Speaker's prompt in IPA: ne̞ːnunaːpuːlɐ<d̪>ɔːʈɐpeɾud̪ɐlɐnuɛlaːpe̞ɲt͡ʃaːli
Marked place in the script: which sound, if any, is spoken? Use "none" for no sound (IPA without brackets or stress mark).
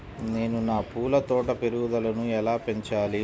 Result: t̪